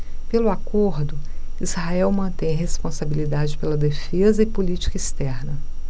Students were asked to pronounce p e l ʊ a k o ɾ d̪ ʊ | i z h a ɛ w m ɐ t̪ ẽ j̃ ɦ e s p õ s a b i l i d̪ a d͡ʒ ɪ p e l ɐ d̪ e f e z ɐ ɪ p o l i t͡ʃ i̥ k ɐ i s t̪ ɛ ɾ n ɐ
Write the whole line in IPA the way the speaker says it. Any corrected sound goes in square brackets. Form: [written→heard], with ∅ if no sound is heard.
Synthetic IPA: p e l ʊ a k o ɾ d̪ ʊ | i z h a ɛ w m [ɐ→ɐ̃] t̪ ẽ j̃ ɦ e s p õ s a b i l i d̪ a d͡ʒ ɪ p e l ɐ d̪ e f e z ɐ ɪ p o l i t͡ʃ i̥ k ɐ i s t̪ ɛ ɾ n ɐ